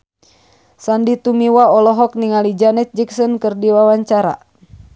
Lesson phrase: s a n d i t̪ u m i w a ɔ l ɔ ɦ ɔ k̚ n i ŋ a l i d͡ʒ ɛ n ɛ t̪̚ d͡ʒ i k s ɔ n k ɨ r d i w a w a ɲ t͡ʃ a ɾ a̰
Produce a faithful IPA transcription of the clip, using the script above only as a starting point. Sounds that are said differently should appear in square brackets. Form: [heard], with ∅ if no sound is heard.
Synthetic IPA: s a n d i t̪ u m i w a ɔ l ɔ ɦ ɔ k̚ n i ŋ a l i d͡ʒ [a] n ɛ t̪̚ d͡ʒ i k s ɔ n k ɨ r d i w a w a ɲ t͡ʃ a ɾ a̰

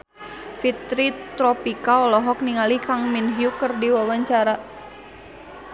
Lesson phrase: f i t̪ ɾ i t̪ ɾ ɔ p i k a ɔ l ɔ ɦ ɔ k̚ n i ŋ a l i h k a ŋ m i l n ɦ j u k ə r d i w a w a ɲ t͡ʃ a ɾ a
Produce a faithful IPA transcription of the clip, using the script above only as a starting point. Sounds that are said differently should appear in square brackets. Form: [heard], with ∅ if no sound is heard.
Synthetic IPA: f i t̪ ɾ i t̪ ɾ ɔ p i k a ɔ l ɔ ɦ ɔ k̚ n i ŋ a l i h k a ŋ m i [∅] n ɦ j u k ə r d i w a w a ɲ t͡ʃ a ɾ a

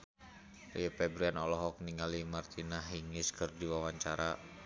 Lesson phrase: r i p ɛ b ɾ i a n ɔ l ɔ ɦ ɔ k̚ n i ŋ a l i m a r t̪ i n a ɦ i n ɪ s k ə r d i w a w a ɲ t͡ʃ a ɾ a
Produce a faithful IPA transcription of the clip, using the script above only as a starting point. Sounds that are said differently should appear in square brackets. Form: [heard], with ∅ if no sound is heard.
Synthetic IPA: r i p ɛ b ɾ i a n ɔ l ɔ ɦ ɔ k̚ n i ŋ a l i m a r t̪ i n a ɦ i [ŋ] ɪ s k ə r d i w a w a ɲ t͡ʃ a ɾ a

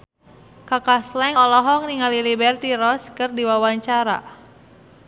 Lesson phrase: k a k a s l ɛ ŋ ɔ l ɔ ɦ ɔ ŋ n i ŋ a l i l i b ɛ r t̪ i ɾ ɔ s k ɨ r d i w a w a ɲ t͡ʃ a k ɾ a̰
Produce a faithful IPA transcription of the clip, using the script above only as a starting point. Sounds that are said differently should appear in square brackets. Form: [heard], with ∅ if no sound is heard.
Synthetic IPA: k a k a s l ɛ ŋ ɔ l ɔ ɦ ɔ ŋ n i ŋ a l i l i b ɛ r t̪ i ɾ ɔ s k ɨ r d i w a w a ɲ t͡ʃ a [∅] ɾ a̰

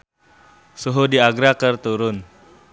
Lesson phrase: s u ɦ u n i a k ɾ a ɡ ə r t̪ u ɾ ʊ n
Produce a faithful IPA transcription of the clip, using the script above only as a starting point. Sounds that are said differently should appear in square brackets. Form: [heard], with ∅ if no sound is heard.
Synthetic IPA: s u ɦ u [d] i a [ɡ] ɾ a [k] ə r t̪ u ɾ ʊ n

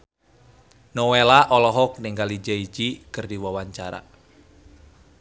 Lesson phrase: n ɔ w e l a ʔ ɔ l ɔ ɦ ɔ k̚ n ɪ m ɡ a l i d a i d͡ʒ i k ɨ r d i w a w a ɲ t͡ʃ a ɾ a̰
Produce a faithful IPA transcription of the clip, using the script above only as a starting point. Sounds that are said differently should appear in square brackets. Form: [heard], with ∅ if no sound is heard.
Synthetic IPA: n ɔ w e l a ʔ ɔ l ɔ ɦ ɔ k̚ n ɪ [ŋ] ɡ a l i [d͡ʒ] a i d͡ʒ i k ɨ r d i w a w a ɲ t͡ʃ a ɾ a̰

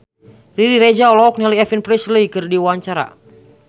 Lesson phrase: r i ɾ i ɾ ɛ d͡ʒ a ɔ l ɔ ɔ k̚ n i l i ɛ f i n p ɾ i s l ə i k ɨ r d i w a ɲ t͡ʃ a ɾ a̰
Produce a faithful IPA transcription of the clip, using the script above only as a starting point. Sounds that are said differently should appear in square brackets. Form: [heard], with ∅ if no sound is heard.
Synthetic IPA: r i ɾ i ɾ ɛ d͡ʒ a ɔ l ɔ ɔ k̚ n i l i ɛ f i n p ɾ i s l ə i k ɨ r d i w a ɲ t͡ʃ a ɾ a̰

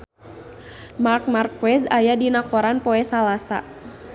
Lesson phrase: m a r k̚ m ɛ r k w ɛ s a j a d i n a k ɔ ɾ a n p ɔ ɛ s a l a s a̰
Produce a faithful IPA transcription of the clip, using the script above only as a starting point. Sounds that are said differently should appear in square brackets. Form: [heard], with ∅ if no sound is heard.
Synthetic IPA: m a r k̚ m [a] r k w ɛ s a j a d i n a k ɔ ɾ a n p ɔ ɛ s a l a s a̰

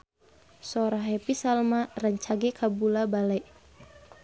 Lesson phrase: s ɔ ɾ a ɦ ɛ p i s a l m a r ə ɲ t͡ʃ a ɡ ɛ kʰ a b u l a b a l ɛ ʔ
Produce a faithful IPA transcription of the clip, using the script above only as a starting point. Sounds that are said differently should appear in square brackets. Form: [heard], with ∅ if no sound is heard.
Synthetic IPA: s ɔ ɾ a ɦ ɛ p i s a l m a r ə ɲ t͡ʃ a ɡ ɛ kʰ a b u l a b a l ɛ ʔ

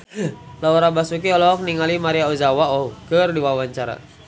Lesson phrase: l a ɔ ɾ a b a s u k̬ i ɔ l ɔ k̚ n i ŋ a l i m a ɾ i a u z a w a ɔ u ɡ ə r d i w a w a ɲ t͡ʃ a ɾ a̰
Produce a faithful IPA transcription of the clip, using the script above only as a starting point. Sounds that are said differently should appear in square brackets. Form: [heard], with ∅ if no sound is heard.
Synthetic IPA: l a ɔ ɾ a b a s u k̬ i ɔ l ɔ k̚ n i ŋ a l i m a ɾ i a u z a w a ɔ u [k] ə r d i w a w a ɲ t͡ʃ a ɾ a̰

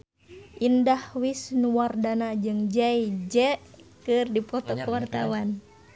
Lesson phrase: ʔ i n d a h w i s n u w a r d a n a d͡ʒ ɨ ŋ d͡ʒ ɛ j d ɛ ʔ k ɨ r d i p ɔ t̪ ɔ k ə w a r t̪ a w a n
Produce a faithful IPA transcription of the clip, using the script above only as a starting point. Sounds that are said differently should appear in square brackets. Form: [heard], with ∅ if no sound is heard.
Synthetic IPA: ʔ i n d a h w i s n u w a r d a n a d͡ʒ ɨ ŋ d͡ʒ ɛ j [d͡ʒ] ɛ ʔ k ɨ r d i p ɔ t̪ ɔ k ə w a r t̪ a w a n

